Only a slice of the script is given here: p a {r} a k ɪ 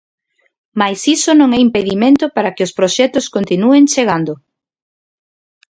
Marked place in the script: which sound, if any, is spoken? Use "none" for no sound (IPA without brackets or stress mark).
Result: ɾ